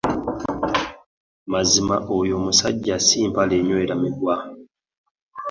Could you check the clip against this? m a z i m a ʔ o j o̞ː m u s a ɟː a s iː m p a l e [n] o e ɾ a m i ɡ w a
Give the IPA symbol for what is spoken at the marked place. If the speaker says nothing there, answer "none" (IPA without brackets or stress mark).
ɲ